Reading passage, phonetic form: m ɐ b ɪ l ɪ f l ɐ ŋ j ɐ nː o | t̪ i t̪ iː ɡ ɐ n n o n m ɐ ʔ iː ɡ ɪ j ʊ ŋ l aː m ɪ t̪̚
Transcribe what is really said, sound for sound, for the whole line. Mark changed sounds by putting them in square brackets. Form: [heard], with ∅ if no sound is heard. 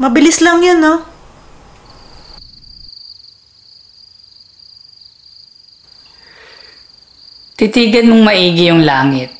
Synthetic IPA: m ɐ b ɪ l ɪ [s] l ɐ ŋ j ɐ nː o | t̪ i t̪ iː ɡ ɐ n [m] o [ŋ] m ɐ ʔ iː ɡ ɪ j ʊ ŋ l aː [ŋ] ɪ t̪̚